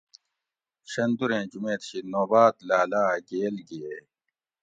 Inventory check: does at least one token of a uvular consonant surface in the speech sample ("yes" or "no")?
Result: no